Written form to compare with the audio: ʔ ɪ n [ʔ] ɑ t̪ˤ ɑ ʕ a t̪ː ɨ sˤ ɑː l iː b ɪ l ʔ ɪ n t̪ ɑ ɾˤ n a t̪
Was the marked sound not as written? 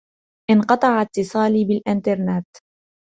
yes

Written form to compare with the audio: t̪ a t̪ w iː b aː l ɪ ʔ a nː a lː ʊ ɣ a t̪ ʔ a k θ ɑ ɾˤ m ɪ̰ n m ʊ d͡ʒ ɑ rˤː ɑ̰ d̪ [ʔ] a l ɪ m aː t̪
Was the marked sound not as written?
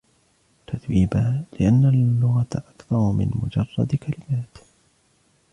yes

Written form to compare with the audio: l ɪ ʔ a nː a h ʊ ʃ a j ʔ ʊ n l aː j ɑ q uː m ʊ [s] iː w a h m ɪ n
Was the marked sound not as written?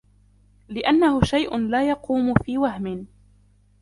yes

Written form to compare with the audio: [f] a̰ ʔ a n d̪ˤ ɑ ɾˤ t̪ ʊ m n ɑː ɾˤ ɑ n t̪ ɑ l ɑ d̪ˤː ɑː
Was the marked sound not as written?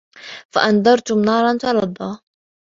no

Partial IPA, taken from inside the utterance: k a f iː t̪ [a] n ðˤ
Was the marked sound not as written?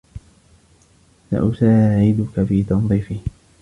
yes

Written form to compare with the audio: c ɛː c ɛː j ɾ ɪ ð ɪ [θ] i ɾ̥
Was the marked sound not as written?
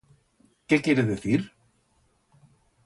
no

